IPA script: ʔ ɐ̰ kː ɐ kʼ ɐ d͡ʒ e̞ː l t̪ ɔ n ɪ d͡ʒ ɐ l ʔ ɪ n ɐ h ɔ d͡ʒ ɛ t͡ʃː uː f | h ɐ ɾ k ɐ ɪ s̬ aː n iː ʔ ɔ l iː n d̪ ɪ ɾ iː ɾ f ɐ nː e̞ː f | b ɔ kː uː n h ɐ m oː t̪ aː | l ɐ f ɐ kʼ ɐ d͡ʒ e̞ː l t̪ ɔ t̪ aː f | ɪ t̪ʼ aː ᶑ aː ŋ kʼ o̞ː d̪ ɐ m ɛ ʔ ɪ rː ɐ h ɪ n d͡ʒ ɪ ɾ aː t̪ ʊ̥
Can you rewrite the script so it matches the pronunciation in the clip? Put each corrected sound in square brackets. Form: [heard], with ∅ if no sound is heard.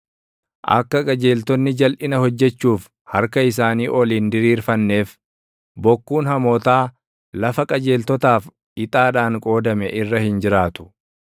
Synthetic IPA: ʔ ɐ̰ kː ɐ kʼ ɐ d͡ʒ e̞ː l t̪ ɔ [nː] ɪ d͡ʒ ɐ l ʔ ɪ n ɐ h ɔ [d͡ʒː] ɛ t͡ʃː uː f | h ɐ ɾ k ɐ ɪ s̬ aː n iː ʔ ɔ l iː n d̪ ɪ ɾ iː ɾ f ɐ nː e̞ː f | b ɔ kː uː n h ɐ m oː t̪ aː | l ɐ f ɐ kʼ ɐ d͡ʒ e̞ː l t̪ ɔ t̪ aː f | ɪ t̪ʼ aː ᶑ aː ŋ kʼ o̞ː d̪ ɐ m ɛ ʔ ɪ rː ɐ h ɪ n d͡ʒ ɪ ɾ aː t̪ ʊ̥